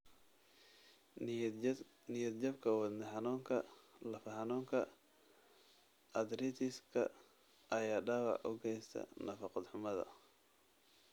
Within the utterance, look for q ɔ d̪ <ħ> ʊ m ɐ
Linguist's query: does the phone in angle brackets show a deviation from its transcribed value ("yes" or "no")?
no